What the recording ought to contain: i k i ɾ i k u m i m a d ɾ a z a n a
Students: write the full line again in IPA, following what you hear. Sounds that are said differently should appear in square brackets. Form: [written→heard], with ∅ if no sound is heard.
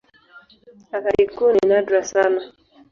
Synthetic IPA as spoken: [i→a] k [i→a] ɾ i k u [m→n] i [m→n] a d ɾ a [z→s] a n a

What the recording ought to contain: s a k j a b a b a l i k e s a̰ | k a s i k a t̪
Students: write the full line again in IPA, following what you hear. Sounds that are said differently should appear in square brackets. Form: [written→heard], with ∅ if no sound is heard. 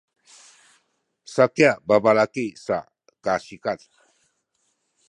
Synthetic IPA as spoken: s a k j a b a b a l [i→a] k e s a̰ | k a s i k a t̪

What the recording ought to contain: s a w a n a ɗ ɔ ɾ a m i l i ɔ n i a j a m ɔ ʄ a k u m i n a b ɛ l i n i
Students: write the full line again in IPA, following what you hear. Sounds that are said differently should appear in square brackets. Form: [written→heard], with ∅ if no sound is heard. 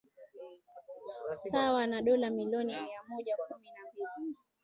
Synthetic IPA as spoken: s a w a n a ɗ ɔ [ɾ→l] a m i l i ɔ n i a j a m ɔ ʄ a k u m i n a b [ɛ→i] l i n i

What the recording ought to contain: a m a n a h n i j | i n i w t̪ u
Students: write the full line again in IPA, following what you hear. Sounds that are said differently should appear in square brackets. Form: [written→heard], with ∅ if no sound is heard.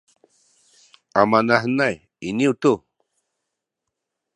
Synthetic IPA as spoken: a m a n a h n [i→a] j | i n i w t̪ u

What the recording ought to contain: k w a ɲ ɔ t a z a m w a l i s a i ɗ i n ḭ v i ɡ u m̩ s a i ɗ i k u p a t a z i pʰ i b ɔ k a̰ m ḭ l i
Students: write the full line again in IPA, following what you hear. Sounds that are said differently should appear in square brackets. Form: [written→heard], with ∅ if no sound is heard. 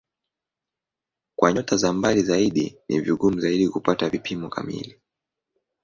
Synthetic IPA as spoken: k w a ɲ ɔ t a z a m [w→b] a l i [s→z] a i ɗ i n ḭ v i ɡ u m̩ [s→z] a i ɗ i k u p a t a [z→v] i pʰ i [b→m] ɔ k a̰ m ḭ l i

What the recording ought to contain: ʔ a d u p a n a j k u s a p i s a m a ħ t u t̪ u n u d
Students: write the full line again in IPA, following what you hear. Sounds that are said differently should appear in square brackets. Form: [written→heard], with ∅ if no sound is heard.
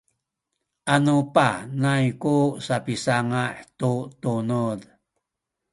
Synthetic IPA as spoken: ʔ a [d→n] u p a n a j k u s a p i s a [m→ŋ] a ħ t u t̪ u n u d

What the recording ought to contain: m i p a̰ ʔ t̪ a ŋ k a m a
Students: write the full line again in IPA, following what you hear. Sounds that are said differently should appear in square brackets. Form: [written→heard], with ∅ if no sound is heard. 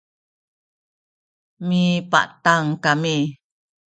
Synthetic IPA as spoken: m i p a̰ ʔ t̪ a ŋ k a m [a→i]

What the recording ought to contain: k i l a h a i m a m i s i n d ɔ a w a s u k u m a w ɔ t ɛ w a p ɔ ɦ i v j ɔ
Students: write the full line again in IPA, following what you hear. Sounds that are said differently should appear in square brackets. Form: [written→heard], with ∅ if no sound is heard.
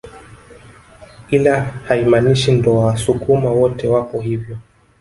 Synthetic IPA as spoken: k i l a h a i m a [m→n] i [s→ʃ] i n d ɔ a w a s u k u m a w ɔ t ɛ w a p ɔ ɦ i v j ɔ

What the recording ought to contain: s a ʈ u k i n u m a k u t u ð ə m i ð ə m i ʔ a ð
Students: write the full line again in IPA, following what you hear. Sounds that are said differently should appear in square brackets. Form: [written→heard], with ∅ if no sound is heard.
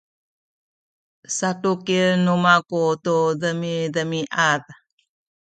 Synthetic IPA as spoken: s a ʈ u k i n u m a k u t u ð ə m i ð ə m i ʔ a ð

